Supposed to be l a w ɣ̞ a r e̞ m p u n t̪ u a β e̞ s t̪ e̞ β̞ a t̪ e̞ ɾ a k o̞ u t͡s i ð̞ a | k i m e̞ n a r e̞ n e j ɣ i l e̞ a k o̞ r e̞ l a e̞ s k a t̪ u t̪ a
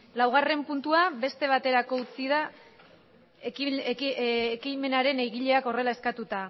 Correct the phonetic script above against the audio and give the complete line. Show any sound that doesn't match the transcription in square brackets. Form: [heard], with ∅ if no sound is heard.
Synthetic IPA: l a w ɣ̞ a r e̞ m p u n t̪ u a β e̞ s t̪ e̞ β̞ a t̪ e̞ ɾ a k o̞ u t͡s i ð̞ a | k i m e̞ n a [ɾ] e̞ n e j ɣ i [ʎ] e̞ a k o̞ r e̞ l a e̞ s k a t̪ u t̪ a